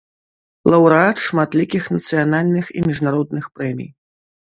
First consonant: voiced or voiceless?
voiced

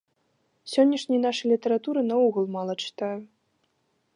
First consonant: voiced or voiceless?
voiceless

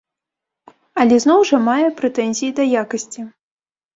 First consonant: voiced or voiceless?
voiced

